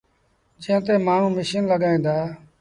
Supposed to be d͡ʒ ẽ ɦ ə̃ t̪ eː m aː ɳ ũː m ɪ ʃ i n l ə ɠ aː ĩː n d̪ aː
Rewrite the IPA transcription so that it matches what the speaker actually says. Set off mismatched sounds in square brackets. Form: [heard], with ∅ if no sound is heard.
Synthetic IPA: d͡ʒ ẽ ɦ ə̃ t̪ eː m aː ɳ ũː m ɪ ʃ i n l ə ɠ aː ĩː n d̪ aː